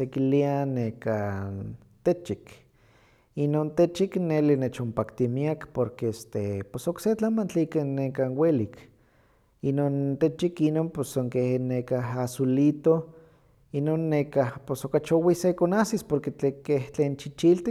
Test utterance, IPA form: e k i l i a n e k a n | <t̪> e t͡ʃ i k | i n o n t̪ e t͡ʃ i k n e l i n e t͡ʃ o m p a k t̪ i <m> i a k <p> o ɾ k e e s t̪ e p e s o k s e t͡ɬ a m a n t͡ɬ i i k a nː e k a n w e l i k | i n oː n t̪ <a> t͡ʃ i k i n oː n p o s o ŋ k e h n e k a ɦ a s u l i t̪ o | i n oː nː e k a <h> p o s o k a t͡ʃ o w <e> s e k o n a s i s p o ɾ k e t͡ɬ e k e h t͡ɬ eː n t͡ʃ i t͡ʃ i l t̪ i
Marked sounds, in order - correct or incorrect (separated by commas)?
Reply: correct, correct, correct, incorrect, correct, incorrect